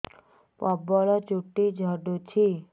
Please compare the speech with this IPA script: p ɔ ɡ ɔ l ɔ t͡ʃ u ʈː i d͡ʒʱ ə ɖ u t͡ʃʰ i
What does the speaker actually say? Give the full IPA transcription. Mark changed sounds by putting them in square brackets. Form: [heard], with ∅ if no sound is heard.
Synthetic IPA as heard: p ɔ [b] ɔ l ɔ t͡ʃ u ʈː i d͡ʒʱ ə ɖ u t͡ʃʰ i